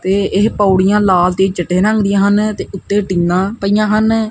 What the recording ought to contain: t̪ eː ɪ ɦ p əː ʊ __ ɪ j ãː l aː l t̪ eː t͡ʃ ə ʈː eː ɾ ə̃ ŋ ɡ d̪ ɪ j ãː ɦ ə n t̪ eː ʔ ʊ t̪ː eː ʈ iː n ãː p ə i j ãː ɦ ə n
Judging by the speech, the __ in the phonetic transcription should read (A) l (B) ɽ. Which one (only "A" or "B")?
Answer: B